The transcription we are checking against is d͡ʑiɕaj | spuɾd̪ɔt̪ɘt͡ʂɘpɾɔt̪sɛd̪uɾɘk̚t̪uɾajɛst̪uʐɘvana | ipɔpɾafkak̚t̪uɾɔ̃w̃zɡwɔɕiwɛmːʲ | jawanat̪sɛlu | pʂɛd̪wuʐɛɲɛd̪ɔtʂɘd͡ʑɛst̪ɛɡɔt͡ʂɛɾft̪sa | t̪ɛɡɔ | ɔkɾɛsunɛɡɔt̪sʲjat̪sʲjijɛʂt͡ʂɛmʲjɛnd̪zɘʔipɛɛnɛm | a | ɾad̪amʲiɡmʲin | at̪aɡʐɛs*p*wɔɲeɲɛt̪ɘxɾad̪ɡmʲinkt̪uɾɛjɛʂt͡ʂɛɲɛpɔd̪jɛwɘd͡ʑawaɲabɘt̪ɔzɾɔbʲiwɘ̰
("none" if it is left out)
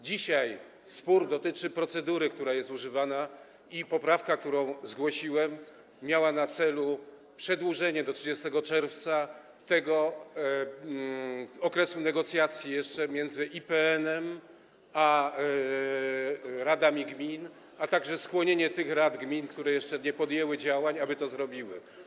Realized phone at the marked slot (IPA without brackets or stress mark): k